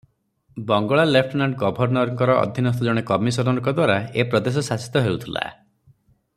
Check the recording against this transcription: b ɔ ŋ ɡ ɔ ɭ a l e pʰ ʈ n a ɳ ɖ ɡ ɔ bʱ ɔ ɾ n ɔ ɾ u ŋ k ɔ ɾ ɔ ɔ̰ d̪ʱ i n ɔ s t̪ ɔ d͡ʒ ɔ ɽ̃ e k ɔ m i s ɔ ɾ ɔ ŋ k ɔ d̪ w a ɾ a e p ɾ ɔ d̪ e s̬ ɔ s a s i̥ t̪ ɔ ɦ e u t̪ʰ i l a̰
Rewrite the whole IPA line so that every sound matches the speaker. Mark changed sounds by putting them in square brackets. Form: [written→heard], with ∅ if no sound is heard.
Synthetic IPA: b ɔ ŋ ɡ ɔ ɭ a l e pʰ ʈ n a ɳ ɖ ɡ ɔ bʱ ɔ ɾ n ɔ ɾ [u→ɔ] ŋ k ɔ ɾ ɔ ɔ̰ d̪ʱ i n ɔ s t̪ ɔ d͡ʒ ɔ ɽ̃ e k ɔ m i s ɔ ɾ ɔ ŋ k ɔ d̪ w a ɾ a e p ɾ ɔ d̪ e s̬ ɔ s a s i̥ t̪ ɔ ɦ e u t̪ʰ i l a̰